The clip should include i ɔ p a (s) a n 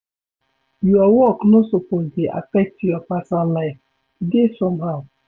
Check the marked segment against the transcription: correct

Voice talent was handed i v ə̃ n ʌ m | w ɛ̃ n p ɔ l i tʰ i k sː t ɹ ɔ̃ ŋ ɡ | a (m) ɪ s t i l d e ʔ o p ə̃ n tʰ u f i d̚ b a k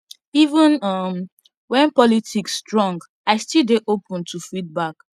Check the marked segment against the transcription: incorrect: none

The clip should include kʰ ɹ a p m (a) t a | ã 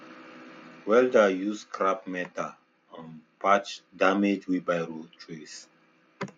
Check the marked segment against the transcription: incorrect: ɛ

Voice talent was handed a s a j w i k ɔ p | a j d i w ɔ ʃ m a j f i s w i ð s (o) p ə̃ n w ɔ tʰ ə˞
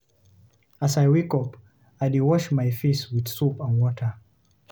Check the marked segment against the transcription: incorrect: u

